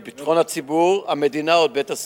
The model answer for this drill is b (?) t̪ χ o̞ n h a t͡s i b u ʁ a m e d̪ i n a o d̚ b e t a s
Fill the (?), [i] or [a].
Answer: i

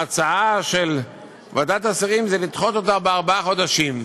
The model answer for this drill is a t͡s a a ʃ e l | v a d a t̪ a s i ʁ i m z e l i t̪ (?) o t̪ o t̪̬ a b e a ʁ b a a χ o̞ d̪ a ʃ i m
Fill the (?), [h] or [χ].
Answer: χ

